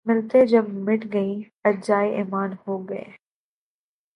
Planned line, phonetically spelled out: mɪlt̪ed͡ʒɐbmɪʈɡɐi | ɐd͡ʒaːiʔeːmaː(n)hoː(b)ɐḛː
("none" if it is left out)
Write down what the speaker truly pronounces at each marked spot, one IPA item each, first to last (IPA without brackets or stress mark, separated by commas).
n, ɡ